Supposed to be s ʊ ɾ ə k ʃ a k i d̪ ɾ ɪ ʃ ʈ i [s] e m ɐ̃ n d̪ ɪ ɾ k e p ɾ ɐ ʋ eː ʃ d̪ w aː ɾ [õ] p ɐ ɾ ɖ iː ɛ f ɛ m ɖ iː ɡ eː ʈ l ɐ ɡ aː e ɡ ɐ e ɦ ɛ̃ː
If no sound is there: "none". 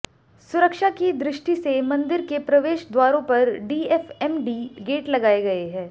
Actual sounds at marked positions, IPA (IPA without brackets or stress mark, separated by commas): s, õ